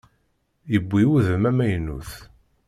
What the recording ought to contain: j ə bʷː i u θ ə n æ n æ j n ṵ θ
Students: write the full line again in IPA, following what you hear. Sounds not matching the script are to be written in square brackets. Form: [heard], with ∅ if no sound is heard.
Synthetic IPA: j ə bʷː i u [ð] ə [m] æ [m] æ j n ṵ θ